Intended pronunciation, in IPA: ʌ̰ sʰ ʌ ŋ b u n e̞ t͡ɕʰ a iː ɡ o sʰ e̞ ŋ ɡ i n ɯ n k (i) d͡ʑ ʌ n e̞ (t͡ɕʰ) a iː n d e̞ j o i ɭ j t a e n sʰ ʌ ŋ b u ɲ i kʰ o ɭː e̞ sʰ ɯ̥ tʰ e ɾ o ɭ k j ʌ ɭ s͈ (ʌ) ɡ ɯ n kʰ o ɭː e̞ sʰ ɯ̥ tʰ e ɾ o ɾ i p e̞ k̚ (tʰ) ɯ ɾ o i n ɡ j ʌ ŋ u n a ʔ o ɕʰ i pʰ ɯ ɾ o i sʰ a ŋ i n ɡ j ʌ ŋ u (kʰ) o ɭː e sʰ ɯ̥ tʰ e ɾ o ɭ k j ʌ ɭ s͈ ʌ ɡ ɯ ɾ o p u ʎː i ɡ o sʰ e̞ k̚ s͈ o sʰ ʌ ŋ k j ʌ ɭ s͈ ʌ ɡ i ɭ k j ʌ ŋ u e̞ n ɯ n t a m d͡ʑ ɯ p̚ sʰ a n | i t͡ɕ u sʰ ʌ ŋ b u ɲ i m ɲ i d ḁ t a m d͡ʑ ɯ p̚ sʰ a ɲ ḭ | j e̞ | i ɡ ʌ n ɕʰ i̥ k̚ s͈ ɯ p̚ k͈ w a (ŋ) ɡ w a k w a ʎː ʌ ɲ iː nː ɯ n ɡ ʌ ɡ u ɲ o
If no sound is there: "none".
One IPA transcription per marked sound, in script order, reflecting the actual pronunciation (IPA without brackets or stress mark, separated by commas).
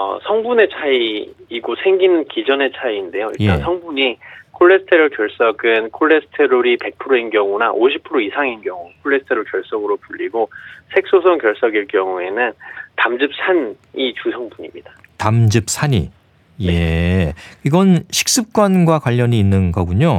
i, t͡ɕʰ, ʌ, pʰ, kʰ, n